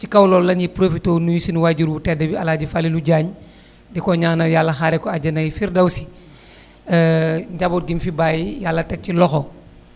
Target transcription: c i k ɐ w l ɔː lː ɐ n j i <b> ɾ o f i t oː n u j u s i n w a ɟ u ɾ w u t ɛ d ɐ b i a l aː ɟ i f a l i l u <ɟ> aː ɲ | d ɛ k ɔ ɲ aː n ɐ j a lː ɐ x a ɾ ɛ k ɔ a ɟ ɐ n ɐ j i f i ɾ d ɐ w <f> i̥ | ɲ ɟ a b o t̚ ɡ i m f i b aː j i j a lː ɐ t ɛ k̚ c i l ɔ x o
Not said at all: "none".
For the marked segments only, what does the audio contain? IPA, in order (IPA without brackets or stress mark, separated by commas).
p, ɟ, s